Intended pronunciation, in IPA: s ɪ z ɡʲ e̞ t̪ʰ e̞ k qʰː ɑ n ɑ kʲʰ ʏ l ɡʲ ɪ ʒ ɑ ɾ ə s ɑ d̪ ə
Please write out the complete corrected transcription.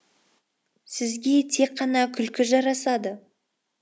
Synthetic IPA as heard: s ɪ z ɡʲ e̞ t̪ʰ e̞ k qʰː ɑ n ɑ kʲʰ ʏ l kʲ ɪ ʒ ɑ ɾ ɑ s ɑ d̪ ə